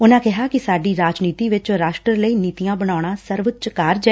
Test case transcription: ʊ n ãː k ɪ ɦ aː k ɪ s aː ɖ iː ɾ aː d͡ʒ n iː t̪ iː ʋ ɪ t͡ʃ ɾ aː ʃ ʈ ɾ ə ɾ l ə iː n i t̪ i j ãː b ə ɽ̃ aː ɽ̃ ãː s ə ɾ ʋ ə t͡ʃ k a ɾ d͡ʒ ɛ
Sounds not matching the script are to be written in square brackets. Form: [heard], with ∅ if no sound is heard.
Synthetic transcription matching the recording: ʊ n ãː k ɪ ɦ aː k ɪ s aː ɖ iː ɾ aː d͡ʒ n iː t̪ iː ʋ ɪ t͡ʃ ɾ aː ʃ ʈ ɾ ə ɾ l ə iː n [iː] t̪ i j ãː b ə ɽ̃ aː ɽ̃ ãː s ə ɾ ʋ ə t͡ʃ k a ɾ d͡ʒ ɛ